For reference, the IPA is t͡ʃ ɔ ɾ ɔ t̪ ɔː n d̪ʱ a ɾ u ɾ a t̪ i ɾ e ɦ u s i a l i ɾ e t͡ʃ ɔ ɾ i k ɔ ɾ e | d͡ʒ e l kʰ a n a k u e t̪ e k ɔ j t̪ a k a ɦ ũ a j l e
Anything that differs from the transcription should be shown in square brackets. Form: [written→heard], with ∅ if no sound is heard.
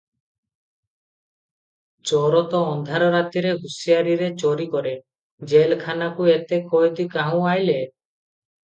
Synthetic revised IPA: t͡ʃ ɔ ɾ ɔ t̪ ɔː n d̪ʱ a ɾ [u→ɔ] ɾ a t̪ i ɾ e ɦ u s i a [l→ɾ] i ɾ e t͡ʃ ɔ ɾ i k ɔ ɾ e | d͡ʒ e l kʰ a n a k u e t̪ e k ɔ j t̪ [a→i] k a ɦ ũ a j l e